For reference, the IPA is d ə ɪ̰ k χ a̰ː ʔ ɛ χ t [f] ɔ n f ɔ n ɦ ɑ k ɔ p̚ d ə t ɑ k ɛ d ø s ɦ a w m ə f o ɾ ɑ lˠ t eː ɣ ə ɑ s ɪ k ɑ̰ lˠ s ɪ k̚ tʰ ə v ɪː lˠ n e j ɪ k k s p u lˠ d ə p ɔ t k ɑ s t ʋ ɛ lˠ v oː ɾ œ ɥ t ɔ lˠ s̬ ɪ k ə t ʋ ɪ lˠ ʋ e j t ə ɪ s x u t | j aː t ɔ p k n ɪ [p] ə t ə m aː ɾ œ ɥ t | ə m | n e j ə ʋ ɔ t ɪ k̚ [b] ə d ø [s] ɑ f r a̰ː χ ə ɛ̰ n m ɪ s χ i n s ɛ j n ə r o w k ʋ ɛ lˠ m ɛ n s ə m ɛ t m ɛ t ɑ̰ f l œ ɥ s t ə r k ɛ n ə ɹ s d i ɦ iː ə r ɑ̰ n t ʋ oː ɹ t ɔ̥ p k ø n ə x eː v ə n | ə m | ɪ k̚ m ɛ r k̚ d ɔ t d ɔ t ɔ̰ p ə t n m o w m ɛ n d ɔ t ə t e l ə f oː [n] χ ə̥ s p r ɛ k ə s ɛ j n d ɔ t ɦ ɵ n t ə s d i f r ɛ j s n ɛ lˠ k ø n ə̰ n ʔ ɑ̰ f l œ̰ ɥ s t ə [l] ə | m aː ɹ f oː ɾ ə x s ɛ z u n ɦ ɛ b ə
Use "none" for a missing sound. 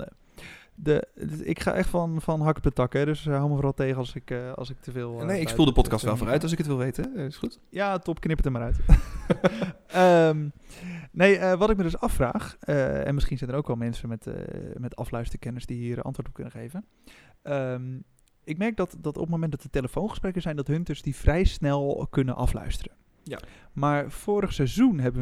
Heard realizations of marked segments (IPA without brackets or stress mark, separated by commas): f, p, m, s, n, r